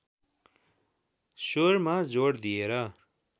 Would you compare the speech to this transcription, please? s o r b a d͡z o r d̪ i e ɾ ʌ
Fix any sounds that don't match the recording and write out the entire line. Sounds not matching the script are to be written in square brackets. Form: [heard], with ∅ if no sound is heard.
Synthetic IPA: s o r [m] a d͡z o [ɽ] d̪ i e ɾ ʌ